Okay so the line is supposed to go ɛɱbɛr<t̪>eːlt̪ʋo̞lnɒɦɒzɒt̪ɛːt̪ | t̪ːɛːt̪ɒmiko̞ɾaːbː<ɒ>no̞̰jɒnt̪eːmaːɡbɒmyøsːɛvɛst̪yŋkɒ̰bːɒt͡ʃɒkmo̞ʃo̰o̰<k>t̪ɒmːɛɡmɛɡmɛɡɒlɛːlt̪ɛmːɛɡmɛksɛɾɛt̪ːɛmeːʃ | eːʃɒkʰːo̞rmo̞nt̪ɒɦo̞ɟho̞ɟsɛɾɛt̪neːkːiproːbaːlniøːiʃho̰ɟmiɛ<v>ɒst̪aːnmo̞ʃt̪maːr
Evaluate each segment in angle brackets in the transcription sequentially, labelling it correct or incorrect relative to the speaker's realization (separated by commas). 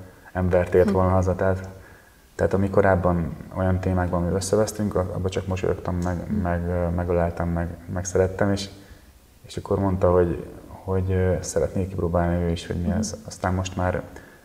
correct, correct, correct, incorrect